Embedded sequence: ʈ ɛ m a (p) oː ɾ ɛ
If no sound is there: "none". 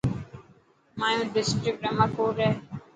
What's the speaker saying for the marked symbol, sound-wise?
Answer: k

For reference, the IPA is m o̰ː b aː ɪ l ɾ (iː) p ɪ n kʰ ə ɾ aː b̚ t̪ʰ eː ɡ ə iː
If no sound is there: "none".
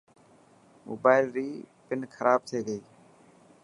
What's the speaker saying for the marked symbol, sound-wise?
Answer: iː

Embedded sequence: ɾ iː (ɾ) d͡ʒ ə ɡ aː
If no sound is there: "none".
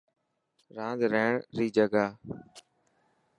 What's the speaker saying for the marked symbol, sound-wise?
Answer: none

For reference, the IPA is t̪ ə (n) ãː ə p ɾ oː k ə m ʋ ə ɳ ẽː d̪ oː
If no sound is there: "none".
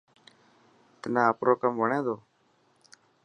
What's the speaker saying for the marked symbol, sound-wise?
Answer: n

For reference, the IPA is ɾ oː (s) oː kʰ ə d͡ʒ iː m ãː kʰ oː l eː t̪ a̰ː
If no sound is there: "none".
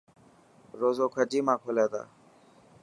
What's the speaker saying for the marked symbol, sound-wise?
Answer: z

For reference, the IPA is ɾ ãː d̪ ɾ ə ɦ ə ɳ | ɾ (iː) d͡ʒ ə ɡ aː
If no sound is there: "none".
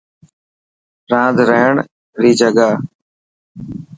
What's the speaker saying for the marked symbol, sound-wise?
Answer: iː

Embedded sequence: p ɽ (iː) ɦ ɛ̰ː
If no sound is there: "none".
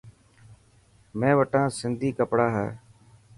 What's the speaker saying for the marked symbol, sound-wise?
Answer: aː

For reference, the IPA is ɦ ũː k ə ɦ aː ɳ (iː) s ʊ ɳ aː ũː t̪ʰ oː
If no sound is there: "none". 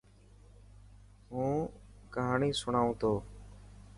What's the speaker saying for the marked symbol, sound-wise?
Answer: iː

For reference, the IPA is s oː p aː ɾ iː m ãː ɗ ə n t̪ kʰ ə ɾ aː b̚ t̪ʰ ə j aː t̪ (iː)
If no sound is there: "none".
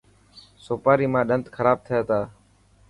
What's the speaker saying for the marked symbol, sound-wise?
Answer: aː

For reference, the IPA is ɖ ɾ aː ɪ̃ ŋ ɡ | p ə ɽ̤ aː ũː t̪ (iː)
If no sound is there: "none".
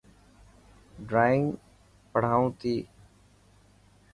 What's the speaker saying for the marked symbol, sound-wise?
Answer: iː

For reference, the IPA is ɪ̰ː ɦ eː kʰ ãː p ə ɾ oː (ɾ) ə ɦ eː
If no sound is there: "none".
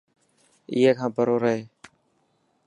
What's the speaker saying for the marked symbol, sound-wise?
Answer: ɾ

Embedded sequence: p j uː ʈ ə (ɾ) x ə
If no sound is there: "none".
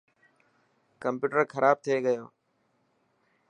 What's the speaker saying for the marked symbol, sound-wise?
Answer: ɾ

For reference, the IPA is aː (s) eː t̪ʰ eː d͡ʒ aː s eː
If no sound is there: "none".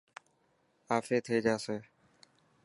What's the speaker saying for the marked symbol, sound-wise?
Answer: f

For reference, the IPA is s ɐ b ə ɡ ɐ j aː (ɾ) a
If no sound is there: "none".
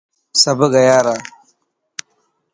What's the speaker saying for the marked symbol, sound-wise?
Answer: ɾ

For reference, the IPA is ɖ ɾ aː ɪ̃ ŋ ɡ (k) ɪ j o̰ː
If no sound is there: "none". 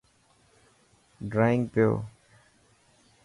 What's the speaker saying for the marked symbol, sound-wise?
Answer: p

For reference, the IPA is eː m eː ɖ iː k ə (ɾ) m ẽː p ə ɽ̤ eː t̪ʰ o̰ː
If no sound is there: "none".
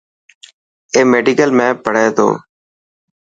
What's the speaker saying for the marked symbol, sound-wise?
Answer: l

